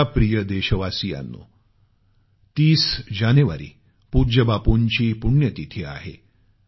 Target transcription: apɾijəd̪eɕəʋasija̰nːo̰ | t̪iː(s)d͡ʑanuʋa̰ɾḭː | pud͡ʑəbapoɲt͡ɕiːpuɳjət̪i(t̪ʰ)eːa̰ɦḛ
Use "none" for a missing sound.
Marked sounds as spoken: s, t̪ʰ

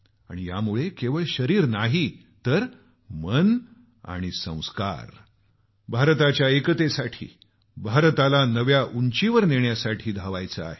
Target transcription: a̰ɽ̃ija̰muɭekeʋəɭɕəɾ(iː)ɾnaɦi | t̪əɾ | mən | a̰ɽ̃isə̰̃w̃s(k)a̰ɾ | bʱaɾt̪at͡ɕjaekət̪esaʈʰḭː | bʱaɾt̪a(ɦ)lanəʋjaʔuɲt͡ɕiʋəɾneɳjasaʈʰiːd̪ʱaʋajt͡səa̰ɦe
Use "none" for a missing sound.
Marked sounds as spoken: iː, k, none

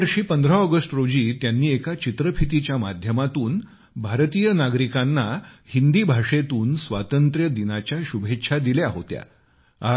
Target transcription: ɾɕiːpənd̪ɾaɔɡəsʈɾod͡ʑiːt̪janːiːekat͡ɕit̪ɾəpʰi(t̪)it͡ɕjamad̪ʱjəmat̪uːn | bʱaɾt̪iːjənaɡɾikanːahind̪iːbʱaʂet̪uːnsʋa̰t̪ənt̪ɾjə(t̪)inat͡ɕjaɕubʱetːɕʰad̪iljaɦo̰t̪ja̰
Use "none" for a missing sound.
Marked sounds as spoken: t̪, d̪

